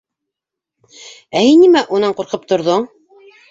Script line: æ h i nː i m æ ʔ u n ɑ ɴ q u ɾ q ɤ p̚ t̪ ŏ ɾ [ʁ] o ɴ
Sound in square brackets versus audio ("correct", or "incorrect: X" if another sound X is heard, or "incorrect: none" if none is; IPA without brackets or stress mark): incorrect: ð